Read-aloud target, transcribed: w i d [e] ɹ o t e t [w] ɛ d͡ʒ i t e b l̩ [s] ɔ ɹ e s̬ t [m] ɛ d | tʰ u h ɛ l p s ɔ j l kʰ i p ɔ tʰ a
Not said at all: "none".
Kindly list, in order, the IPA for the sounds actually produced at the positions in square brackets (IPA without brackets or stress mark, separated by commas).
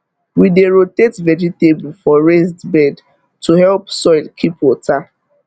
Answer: e, v, f, b